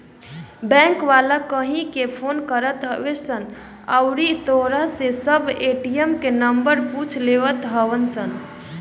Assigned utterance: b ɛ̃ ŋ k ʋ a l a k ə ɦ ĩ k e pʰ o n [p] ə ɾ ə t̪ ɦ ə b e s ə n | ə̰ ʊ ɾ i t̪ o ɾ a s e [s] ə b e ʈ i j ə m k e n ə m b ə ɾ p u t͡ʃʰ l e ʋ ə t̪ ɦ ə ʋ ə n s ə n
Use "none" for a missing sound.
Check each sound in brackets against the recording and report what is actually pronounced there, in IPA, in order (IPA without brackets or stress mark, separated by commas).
k, s